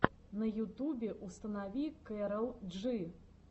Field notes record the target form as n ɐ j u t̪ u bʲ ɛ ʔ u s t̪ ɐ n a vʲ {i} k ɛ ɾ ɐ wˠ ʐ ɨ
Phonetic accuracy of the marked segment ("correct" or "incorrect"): correct